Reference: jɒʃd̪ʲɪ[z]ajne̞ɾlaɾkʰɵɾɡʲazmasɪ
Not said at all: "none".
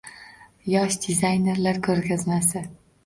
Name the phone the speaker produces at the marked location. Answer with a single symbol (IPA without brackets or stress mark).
z